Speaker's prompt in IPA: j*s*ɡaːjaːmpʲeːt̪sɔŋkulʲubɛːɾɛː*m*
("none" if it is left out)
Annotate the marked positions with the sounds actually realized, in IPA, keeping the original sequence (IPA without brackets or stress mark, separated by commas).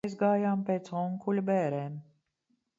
z, m